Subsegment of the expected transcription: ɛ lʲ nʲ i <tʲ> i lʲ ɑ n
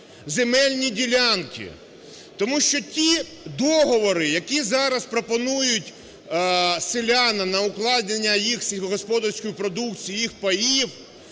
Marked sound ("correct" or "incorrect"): incorrect